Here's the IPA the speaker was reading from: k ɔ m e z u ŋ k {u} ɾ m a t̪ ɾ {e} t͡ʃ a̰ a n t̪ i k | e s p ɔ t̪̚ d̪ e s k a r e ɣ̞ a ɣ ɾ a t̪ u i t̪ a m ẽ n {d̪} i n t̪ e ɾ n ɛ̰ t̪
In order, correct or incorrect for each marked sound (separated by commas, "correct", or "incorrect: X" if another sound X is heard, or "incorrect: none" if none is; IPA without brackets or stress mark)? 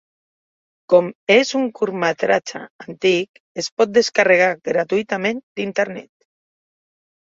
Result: correct, incorrect: a, correct